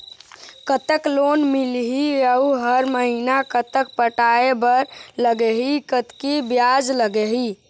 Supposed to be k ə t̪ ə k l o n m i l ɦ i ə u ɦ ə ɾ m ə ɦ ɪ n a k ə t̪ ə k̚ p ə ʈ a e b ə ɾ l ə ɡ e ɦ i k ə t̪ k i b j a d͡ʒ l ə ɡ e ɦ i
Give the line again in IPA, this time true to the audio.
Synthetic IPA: k ə t̪ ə k l o n m i l ɦ i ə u ɦ ə ɾ m ə ɦ i n a k ə t̪ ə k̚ p ə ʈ a e b ə ɾ l ə ɡ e ɦ i k ə t̪ k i b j a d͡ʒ l ə ɡ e ɦ i